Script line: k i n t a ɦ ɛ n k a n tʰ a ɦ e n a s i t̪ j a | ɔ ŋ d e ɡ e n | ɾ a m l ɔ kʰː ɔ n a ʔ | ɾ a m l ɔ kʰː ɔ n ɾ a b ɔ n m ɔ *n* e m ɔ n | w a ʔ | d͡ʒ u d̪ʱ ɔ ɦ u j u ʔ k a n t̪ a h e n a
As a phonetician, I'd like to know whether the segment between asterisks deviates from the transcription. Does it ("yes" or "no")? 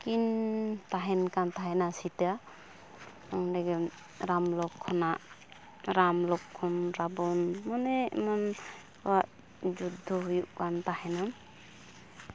no